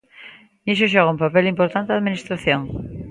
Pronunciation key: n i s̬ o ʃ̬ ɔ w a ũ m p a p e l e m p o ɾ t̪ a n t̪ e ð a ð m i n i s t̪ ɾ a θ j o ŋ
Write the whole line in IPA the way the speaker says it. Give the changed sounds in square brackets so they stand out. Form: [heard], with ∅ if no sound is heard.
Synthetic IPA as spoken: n i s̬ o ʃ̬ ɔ [ɣ] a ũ m p a p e l [i] m p o ɾ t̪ a n t̪ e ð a ð m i n i s t̪ ɾ a θ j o ŋ